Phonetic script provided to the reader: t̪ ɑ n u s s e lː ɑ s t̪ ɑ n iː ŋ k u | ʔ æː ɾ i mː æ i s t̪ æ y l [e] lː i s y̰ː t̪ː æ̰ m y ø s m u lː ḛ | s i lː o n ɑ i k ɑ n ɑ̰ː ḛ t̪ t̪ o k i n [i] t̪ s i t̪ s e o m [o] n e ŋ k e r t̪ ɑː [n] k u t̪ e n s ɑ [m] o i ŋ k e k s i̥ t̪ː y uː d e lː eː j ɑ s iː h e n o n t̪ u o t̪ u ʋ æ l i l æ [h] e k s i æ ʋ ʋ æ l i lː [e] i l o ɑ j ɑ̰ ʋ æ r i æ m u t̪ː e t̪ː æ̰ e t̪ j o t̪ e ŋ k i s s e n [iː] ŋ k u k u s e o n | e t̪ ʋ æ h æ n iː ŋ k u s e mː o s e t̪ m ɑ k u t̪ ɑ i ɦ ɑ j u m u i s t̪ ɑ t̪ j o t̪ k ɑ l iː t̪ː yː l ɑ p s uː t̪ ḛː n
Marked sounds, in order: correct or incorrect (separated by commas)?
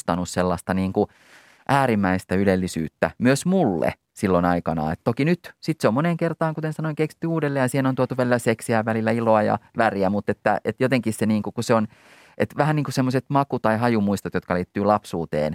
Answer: correct, incorrect, correct, incorrect, incorrect, incorrect, incorrect, correct